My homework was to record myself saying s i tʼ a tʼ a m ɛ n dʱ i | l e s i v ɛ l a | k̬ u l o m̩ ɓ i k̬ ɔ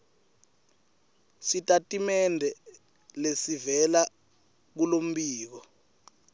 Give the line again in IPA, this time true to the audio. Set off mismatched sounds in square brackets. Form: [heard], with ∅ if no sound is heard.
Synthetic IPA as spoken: s i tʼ a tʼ [i] m ɛ n dʱ [ɛ] | l e s i v ɛ l a | k̬ u l o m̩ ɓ [iː] k̬ ɔ